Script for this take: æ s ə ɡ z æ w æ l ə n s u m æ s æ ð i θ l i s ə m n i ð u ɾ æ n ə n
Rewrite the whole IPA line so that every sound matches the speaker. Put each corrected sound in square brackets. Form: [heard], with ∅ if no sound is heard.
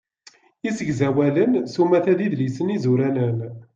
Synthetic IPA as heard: [i] s ə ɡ z æ w æ l ə n s u m æ [θ] æ ð i [ð] l i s ə [∅] n i [z] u ɾ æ n ə n